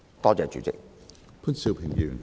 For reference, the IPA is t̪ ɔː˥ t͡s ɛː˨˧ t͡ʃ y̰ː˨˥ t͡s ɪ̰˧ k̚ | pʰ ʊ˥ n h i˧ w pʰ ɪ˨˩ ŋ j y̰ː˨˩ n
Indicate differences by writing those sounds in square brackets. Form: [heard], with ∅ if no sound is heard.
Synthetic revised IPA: t̪ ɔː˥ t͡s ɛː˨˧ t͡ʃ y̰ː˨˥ t͡s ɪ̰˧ k̚ | pʰ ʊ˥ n [s] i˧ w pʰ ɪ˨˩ ŋ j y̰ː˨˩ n